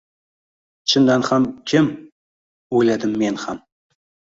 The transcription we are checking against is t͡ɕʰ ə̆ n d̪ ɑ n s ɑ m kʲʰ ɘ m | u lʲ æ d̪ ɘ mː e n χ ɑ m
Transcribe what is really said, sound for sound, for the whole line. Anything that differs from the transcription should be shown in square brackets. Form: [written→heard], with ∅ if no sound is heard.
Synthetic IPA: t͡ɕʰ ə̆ n d̪ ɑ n [s→χ] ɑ m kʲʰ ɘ m | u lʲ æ d̪ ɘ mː e n χ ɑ m